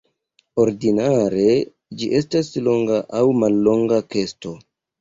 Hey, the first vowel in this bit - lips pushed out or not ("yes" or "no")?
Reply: yes